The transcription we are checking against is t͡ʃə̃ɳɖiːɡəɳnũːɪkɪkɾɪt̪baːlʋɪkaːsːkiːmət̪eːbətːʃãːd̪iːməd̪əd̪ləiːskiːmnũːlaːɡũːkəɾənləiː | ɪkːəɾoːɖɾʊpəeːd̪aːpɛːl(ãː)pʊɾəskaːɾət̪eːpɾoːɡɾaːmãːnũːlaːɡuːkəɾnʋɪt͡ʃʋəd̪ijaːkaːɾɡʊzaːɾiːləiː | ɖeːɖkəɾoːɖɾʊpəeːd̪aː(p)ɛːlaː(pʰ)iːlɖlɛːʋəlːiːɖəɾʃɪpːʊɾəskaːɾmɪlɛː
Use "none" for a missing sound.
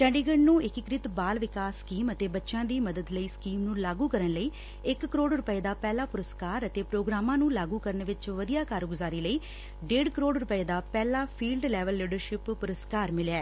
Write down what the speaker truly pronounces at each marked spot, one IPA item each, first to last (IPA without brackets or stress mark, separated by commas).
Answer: aː, p, pʰ